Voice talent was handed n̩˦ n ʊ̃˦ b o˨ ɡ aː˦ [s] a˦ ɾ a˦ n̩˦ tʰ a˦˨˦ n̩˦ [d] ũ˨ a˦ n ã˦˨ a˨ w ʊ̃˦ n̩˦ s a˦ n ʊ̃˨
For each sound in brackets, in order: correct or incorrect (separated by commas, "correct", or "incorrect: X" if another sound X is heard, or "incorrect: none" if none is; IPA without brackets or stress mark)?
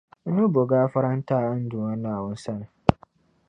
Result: incorrect: f, correct